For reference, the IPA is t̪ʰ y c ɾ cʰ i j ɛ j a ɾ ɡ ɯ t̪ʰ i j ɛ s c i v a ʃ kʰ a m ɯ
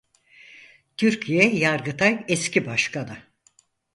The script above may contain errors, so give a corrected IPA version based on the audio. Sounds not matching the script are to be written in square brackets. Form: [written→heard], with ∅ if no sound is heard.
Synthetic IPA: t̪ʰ y [c→∅] ɾ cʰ i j ɛ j a ɾ ɡ ɯ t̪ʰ [i→a] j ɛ s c i [v→b] a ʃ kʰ a [m→n] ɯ